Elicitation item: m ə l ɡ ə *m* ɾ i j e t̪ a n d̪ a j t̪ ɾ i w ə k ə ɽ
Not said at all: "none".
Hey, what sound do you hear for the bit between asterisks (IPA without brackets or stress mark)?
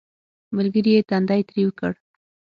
none